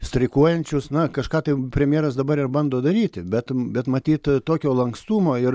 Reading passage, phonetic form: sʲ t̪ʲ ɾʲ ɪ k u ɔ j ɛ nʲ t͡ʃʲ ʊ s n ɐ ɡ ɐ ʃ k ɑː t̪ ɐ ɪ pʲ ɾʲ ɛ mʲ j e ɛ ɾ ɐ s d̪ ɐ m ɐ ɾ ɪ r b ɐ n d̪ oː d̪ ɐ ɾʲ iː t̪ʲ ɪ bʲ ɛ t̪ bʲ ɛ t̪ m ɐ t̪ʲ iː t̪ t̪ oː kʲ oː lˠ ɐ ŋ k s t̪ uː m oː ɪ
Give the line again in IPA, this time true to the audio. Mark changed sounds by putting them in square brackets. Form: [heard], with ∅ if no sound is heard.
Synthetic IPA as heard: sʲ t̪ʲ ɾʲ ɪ k u ɔ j ɛ nʲ t͡ʃʲ ʊ s n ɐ [k] ɐ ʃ k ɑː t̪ ɐ ɪ pʲ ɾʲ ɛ mʲ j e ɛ ɾ ɐ s d̪ ɐ [b] ɐ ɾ ɪ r b ɐ n d̪ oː d̪ ɐ ɾʲ iː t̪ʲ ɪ bʲ ɛ t̪ bʲ ɛ t̪ m ɐ t̪ʲ iː t̪ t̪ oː kʲ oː lˠ ɐ ŋ k s t̪ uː m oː ɪ